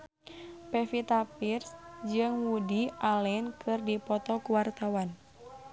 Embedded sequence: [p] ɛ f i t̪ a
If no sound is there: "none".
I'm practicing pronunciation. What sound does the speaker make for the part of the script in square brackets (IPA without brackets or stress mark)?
p